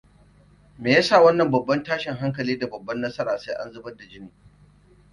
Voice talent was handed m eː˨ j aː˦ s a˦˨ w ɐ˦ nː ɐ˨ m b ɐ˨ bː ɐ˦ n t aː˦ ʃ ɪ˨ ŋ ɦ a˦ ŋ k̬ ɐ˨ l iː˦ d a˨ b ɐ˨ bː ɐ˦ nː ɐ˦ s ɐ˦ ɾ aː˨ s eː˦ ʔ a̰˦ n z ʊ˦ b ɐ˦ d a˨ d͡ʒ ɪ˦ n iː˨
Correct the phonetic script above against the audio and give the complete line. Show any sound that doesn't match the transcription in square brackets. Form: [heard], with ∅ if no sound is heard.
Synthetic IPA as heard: m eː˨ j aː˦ s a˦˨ w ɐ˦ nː ɐ˨ m b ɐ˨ bː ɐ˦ n t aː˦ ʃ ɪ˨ ŋ ɦ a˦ ŋ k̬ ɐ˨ l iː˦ d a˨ b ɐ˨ bː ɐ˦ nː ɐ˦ s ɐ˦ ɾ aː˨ s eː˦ ʔ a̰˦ n z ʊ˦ b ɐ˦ d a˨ d͡ʒ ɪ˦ n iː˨